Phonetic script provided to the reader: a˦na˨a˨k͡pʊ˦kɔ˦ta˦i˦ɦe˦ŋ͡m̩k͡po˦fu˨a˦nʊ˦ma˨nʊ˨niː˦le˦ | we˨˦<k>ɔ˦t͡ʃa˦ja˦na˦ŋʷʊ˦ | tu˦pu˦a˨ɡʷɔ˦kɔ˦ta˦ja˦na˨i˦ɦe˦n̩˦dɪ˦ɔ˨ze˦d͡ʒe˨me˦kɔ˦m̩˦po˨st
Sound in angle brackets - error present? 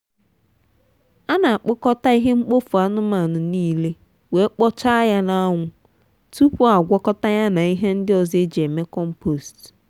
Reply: yes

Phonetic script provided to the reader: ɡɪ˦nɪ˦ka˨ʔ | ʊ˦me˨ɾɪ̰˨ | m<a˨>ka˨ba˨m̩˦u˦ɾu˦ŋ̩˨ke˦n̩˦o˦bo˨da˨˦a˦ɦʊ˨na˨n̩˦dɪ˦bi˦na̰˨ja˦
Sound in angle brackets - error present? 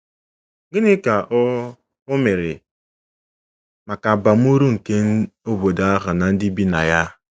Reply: no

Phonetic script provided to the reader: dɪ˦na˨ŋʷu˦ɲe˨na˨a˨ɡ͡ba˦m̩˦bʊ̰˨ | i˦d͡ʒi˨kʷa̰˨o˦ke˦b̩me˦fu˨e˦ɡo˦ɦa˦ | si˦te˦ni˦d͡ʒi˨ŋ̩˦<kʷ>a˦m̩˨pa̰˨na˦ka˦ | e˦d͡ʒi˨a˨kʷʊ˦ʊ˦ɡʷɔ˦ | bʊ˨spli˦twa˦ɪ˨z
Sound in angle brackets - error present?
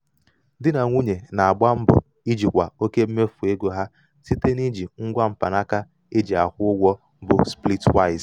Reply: yes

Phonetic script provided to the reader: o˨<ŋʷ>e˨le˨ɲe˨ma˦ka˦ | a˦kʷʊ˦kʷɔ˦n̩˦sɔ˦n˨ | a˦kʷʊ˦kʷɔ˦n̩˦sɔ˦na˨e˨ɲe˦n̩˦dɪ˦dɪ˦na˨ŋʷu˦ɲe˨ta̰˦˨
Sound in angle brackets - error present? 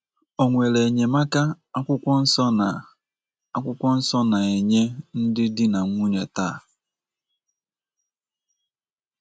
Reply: no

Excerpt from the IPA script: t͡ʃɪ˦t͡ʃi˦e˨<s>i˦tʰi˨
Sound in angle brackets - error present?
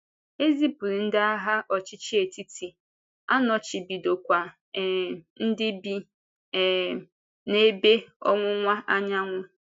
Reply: yes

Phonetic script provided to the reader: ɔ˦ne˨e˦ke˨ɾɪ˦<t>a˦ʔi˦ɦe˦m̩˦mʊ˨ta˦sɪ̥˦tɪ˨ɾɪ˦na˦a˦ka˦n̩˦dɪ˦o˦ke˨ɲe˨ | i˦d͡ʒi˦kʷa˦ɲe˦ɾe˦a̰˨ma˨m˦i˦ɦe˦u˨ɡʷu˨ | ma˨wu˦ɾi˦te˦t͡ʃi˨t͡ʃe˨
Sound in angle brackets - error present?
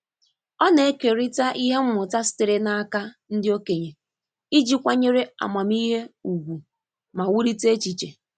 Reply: no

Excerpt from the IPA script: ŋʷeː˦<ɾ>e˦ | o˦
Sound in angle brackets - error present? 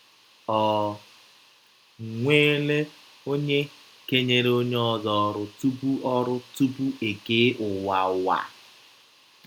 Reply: yes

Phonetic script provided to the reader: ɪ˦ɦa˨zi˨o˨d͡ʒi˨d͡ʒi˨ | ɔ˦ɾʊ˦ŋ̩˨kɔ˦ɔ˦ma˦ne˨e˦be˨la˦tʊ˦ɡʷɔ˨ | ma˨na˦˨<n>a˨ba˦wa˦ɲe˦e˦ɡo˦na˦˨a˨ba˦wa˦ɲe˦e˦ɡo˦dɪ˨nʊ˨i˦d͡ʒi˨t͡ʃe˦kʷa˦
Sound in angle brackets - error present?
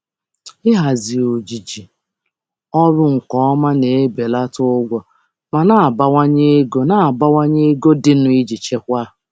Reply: yes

